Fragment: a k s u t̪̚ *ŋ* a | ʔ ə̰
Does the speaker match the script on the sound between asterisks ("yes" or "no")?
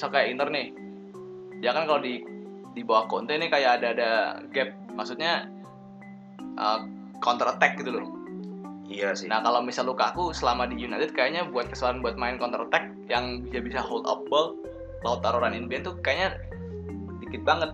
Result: no